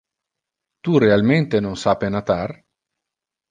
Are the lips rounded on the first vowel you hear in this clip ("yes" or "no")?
yes